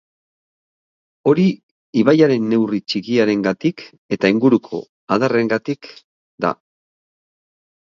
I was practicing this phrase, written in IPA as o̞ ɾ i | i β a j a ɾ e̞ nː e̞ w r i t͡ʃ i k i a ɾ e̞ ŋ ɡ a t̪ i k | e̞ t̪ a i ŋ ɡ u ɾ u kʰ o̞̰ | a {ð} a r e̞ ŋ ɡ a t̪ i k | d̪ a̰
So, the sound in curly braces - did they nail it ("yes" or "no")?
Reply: yes